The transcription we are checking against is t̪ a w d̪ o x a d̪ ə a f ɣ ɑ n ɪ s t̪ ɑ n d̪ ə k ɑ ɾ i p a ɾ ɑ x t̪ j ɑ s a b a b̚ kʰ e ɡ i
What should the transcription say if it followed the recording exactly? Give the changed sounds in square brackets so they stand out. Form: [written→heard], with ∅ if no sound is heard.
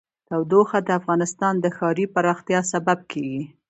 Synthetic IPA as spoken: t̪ a w d̪ o x a d̪ ə a f ɣ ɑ n ɪ s t̪ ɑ n d̪ ə [k→x] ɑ ɾ i p a ɾ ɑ x t̪ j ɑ s a b a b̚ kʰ e ɡ i